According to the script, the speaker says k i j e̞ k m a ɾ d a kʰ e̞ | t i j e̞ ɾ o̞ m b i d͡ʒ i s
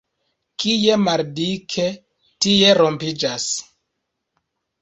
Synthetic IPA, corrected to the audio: k i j e̞ m a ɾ d i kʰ e̞ | t i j e̞ ɾ o̞ m p i d͡ʒ a s